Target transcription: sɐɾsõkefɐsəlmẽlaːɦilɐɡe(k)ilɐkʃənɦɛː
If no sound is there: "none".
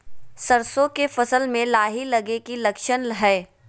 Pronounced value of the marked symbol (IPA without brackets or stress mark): k